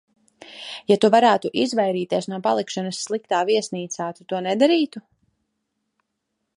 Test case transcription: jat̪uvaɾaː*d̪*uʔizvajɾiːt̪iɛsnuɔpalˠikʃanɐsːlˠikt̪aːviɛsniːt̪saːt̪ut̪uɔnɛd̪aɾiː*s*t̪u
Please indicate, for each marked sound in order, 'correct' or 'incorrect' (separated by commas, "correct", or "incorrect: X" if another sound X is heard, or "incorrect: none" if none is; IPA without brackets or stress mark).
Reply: incorrect: t̪, incorrect: none